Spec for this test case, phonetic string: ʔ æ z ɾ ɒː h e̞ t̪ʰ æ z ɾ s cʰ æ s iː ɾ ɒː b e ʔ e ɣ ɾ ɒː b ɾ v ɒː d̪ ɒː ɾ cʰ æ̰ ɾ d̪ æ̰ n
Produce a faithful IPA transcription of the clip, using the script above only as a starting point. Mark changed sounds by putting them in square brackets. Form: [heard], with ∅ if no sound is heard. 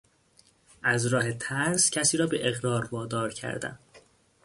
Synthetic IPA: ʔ æ z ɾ ɒː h e̞ t̪ʰ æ [∅] ɾ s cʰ æ s iː ɾ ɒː b e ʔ e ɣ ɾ ɒː [∅] ɾ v ɒː d̪ ɒː ɾ cʰ æ̰ ɾ d̪ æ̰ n

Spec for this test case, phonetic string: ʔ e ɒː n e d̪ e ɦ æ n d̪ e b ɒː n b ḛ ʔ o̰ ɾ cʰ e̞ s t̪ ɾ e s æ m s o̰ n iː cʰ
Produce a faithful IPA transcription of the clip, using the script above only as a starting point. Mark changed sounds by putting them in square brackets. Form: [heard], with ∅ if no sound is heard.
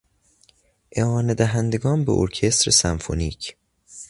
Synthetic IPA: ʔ e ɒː n e d̪ [æ] ɦ æ n d̪ e [ɡ] ɒː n b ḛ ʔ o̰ ɾ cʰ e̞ s t̪ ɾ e s æ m [f] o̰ n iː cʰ

